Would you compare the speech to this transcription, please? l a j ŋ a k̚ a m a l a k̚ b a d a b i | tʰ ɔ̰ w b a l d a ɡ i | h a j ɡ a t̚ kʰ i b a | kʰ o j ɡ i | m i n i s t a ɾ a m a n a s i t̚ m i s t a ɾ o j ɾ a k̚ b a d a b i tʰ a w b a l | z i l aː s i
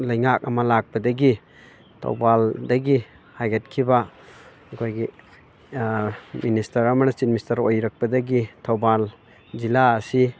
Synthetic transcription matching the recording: l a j ŋ a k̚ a m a l a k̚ b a d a ɡ i | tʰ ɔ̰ w b a l d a ɡ i | h a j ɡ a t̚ kʰ i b a | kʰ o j ɡ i | m i n i s t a ɾ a m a n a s i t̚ m i s t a ɾ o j ɾ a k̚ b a d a ɡ i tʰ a w b a l | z i l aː s i